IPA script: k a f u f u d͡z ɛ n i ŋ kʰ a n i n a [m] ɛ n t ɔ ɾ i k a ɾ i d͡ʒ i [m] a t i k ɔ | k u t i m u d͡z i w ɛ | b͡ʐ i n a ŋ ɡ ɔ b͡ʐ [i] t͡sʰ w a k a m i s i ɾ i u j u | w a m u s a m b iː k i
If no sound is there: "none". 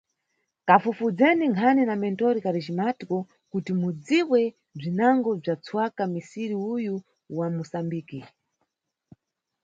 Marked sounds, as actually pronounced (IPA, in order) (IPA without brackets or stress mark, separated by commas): m, m, a